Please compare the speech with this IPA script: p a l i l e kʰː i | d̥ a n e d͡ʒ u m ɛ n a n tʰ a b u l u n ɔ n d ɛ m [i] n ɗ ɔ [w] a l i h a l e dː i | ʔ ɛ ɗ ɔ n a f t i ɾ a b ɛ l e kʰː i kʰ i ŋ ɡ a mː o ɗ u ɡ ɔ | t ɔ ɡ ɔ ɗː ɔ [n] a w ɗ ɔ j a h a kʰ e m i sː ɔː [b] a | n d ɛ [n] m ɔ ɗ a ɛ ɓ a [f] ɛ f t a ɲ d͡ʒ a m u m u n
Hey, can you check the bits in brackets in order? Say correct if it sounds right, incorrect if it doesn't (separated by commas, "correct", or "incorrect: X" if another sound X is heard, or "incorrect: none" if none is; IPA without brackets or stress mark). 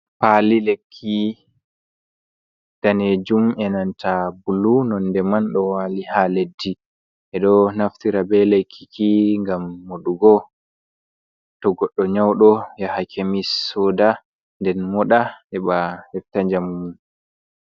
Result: incorrect: a, correct, incorrect: ɲ, incorrect: d, correct, incorrect: h